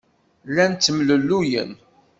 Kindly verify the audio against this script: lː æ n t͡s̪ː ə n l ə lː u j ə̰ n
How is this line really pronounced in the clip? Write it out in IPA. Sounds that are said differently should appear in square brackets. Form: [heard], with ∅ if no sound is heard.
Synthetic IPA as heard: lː æ n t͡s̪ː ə [m] l ə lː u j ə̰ n

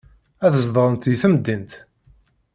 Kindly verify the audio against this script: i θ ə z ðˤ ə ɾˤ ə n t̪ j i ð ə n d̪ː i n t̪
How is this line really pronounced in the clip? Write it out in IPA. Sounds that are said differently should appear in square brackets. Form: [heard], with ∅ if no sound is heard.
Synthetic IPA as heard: [æ] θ ə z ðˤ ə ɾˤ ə n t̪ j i [θ] ə [m] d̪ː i n t̪

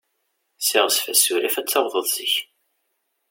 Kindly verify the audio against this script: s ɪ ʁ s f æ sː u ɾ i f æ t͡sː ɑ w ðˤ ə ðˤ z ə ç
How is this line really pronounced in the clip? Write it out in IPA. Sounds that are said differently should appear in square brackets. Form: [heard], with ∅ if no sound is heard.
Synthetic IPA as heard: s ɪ ʁ s f æ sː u ɾ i f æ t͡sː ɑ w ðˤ ə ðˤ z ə ç

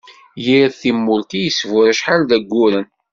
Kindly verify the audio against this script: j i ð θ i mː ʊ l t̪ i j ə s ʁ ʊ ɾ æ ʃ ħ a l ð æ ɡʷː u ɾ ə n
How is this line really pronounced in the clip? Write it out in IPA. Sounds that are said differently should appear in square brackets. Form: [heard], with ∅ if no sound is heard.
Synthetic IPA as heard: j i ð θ i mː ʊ l t̪ i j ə s [v] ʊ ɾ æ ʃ ħ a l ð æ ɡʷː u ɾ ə n

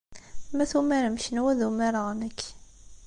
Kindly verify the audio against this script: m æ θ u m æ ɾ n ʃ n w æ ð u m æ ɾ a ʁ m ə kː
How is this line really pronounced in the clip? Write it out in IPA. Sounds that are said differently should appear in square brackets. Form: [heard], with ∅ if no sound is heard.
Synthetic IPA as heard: m æ θ u m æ ɾ [m] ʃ n w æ ð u m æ ɾ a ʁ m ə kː

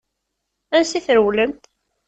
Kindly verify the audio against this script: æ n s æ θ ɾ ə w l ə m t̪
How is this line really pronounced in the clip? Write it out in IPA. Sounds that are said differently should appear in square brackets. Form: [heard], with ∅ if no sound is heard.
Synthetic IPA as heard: æ n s [i] θ ɾ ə w l ə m t̪

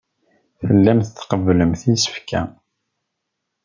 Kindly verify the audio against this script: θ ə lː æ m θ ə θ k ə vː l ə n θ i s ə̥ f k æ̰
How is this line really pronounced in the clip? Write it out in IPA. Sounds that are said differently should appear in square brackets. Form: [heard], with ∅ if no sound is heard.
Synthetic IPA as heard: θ ə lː æ m θ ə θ [q] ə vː l ə [m] θ i s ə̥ f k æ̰

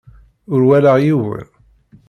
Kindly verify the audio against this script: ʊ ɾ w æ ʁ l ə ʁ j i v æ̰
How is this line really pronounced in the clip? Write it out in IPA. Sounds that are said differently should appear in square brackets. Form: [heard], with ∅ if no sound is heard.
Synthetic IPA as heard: ʊ ɾ w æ [∅] l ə ʁ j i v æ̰

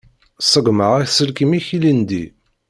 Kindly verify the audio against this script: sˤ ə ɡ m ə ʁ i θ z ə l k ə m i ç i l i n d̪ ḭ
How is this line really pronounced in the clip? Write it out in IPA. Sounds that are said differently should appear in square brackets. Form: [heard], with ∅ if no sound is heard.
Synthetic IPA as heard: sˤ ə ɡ m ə ʁ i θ [s] ə l k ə m i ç i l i n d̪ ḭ

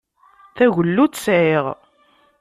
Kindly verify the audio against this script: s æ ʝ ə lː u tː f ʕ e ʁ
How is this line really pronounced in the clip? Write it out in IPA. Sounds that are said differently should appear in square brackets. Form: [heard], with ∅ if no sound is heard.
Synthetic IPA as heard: [θ] æ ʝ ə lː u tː [s] ʕ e ʁ

